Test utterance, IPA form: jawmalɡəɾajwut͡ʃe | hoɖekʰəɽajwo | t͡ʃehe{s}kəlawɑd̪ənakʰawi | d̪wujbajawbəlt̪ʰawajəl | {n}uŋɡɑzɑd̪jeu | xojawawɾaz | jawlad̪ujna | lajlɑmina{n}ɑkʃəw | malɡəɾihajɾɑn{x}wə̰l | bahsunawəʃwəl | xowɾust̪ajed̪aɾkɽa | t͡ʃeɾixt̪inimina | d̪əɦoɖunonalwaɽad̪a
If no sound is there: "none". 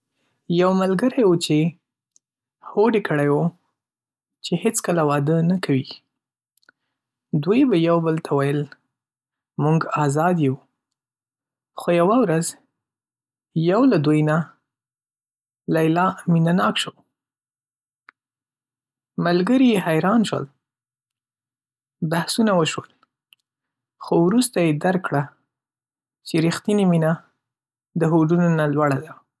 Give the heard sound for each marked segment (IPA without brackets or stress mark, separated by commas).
t͡s, m, n, ʃ